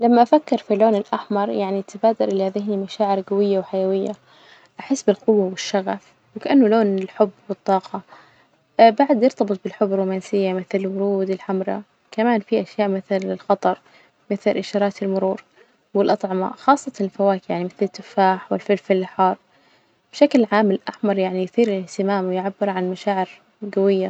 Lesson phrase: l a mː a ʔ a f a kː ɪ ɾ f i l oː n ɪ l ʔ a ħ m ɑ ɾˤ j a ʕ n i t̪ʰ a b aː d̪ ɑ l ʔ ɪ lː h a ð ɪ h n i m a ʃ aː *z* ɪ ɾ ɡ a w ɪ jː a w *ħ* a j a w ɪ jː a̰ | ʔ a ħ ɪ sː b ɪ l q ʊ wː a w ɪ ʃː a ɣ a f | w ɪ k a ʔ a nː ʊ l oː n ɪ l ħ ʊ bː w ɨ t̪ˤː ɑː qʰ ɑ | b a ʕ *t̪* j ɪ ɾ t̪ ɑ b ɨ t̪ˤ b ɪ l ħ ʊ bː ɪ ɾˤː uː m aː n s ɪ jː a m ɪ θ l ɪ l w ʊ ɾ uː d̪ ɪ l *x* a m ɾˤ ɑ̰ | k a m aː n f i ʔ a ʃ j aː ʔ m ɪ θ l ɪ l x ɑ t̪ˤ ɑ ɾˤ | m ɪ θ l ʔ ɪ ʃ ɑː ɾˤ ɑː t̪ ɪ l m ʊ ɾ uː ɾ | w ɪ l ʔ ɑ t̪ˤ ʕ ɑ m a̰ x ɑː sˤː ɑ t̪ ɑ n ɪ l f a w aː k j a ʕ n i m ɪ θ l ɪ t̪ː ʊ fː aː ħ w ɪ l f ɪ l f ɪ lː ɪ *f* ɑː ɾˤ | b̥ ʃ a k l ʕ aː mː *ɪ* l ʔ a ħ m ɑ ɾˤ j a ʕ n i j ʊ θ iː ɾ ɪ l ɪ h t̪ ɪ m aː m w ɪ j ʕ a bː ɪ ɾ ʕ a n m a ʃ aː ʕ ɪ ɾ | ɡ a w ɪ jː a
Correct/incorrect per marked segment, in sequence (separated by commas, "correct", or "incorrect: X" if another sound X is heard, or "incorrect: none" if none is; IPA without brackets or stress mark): incorrect: ʕ, correct, incorrect: d̪, incorrect: ħ, incorrect: ħ, correct